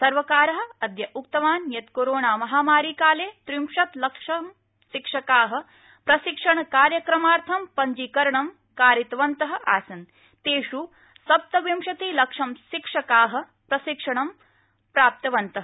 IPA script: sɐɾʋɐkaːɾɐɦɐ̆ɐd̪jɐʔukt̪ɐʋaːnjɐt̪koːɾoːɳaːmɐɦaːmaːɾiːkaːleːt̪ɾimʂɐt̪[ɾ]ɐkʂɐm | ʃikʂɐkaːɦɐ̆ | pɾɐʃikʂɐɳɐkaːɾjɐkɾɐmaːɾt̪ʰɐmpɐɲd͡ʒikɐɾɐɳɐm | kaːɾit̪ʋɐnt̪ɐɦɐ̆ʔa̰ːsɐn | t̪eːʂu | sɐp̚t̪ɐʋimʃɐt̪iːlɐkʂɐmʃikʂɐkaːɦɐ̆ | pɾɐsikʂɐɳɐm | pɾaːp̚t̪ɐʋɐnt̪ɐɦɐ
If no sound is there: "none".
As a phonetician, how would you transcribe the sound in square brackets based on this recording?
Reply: l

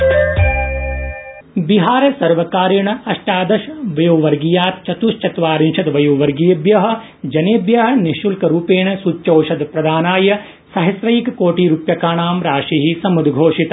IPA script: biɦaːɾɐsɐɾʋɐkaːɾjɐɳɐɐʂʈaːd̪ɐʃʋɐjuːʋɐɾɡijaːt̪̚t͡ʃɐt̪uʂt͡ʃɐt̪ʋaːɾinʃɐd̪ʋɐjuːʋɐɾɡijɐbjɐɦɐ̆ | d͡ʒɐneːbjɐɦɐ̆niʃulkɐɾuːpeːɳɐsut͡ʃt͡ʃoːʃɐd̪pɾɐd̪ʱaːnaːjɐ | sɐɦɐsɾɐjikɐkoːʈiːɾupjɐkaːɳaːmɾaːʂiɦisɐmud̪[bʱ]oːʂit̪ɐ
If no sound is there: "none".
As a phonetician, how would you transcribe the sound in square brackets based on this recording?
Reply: ɡʱ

